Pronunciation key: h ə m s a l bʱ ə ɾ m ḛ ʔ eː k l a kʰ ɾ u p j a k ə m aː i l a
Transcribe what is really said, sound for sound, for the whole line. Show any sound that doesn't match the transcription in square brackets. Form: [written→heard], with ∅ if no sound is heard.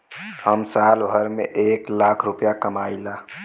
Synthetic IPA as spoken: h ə m s a l bʱ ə ɾ m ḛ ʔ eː k l a kʰ ɾ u p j a k ə m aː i l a